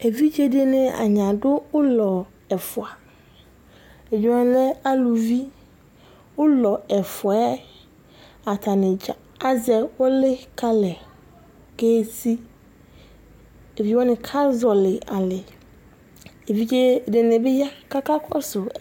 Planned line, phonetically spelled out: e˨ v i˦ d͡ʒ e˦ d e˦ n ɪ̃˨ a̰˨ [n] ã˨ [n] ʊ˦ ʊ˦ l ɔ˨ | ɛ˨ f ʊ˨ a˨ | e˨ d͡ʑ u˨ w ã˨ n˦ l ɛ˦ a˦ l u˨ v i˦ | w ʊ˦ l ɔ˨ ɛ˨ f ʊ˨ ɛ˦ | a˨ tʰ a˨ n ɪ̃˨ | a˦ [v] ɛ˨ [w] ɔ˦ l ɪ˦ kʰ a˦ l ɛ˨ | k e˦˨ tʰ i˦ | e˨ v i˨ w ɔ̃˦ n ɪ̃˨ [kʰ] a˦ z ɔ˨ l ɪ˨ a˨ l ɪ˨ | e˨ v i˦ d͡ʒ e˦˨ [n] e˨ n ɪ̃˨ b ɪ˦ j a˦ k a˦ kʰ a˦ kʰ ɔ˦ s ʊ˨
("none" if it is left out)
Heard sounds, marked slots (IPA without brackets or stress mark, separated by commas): ɲ, d, z, w, kʰ, d